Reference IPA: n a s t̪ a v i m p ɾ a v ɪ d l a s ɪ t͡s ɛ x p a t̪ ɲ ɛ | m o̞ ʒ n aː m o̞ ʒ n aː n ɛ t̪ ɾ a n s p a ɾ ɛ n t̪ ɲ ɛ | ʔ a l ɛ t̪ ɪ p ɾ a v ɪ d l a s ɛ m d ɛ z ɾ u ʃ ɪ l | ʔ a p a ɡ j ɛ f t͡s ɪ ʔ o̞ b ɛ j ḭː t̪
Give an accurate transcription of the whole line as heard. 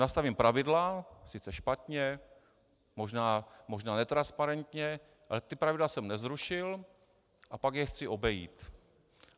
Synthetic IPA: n a s t̪ a v i m p ɾ a v ɪ d l a s ɪ t͡s ɛ ʃ p a t̪ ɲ ɛ | m o̞ ʒ n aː m o̞ ʒ n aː n ɛ t̪ ɾ a n s p a ɾ ɛ n t̪ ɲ ɛ | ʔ a l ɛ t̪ ɪ p ɾ a v ɪ d l a s ɛ m n ɛ z ɾ u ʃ ɪ l | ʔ a p a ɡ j ɛ x t͡s ɪ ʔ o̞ b ɛ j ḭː t̪